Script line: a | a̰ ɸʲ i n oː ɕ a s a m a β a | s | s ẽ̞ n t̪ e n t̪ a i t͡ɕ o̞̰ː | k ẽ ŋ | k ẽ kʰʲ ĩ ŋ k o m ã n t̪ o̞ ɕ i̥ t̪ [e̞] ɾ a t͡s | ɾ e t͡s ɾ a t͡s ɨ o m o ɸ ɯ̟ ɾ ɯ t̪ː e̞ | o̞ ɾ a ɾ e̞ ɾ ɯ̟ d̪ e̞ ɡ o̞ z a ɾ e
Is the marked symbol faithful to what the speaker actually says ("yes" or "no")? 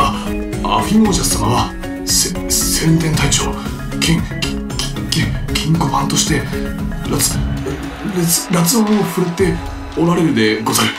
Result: yes